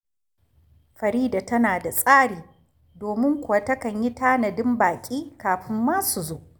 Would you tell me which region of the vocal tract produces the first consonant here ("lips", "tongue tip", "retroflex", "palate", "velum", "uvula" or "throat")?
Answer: lips